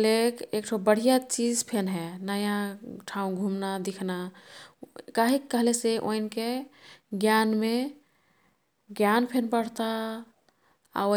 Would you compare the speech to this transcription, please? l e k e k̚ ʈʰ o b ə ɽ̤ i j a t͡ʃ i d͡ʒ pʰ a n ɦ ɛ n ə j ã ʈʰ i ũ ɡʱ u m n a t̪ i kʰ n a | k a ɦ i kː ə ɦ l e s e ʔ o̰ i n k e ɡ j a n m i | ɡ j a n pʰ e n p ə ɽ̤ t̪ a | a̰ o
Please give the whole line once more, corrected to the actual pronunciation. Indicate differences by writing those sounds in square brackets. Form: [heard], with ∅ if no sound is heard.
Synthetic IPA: l e k e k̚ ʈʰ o b ə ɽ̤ i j a t͡ʃ i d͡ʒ pʰ [e] n ɦ ɛ n ə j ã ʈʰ [a] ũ ɡʱ u m n a [d̪] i kʰ n a | k a ɦ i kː ə ɦ l e s e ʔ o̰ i n k e ɡ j a n m [e] | ɡ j a n pʰ e n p ə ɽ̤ t̪ a | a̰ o